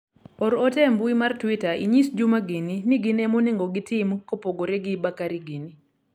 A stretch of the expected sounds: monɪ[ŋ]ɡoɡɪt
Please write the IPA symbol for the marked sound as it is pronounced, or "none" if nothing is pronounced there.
ŋ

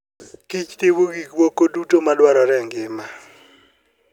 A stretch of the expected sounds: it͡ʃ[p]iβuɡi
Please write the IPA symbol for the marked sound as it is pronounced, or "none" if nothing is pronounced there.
t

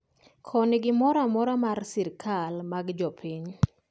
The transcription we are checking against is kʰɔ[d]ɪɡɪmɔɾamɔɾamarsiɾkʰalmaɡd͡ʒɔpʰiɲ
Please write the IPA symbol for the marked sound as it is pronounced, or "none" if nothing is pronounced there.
n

